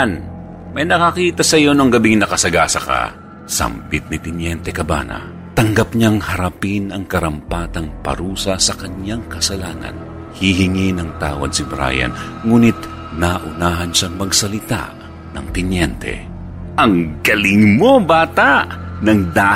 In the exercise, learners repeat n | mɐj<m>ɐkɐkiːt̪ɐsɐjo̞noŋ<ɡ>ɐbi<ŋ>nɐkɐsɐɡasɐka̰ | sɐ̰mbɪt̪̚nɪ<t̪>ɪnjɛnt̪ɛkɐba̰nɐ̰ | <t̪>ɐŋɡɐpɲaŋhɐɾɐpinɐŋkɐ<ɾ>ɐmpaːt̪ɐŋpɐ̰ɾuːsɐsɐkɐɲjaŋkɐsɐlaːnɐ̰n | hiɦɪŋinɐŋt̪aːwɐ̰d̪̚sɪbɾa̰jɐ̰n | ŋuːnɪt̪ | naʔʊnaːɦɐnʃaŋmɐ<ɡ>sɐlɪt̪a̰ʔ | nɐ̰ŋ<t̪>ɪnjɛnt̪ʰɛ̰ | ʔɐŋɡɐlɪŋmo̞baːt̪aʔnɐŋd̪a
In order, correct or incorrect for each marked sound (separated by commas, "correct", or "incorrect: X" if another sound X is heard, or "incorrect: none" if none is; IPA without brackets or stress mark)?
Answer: incorrect: n, correct, correct, correct, correct, correct, correct, correct